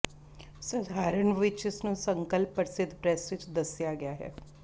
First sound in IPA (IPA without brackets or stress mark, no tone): s